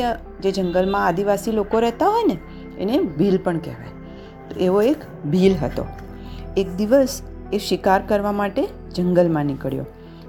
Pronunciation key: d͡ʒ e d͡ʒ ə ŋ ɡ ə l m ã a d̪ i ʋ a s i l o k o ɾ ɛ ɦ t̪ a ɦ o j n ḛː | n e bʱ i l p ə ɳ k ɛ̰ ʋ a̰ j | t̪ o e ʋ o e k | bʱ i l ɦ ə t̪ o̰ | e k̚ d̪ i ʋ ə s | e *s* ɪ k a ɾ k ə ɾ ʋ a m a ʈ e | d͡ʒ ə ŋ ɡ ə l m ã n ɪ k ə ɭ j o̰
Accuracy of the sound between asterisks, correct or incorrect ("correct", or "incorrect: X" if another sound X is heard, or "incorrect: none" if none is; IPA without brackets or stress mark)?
incorrect: ʃ